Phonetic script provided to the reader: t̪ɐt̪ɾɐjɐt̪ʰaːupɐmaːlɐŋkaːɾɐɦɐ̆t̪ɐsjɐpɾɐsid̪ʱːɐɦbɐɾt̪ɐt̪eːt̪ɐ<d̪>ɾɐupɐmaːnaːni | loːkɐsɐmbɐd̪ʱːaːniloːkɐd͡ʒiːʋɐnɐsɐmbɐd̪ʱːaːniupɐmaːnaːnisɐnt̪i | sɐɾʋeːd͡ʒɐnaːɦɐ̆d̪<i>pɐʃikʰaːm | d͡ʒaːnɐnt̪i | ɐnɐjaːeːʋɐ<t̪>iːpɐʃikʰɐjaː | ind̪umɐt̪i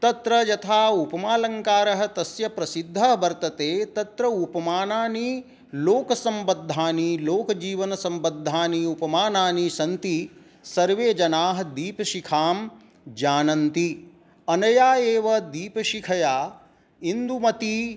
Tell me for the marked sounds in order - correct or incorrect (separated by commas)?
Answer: incorrect, incorrect, incorrect